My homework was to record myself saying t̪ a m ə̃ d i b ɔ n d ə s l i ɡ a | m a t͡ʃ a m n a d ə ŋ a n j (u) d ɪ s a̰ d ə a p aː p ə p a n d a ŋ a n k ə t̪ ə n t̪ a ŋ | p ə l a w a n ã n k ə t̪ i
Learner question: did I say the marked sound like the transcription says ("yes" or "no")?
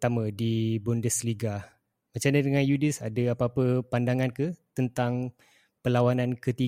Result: yes